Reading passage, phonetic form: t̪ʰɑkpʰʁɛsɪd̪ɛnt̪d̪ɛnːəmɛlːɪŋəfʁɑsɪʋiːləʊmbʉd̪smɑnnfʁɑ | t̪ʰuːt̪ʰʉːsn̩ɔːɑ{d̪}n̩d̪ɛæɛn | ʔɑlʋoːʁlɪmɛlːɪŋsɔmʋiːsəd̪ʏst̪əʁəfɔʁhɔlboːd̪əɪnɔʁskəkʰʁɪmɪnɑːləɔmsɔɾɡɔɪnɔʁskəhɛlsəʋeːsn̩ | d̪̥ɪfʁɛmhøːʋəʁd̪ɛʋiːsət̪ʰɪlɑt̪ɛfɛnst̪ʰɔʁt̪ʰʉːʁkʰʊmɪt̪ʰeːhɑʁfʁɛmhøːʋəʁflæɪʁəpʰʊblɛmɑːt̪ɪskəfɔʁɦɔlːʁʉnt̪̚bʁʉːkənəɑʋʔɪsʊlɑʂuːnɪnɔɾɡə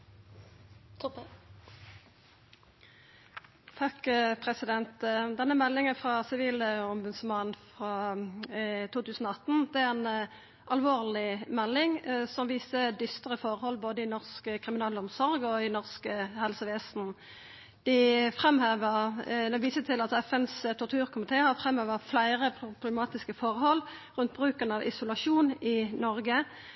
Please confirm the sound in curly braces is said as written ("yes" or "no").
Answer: no